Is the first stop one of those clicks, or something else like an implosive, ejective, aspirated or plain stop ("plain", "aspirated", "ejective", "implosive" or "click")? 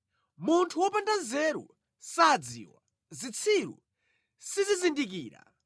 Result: aspirated